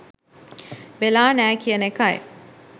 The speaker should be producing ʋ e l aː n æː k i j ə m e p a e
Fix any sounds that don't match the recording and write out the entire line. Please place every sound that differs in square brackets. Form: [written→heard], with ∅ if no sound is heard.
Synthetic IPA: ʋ e l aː n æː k i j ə [m→n] e [p→k] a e